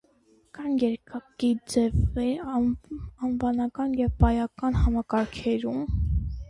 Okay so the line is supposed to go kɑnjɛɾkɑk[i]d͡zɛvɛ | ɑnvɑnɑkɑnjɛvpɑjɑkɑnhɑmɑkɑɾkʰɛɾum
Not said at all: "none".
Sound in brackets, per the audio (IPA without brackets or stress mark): i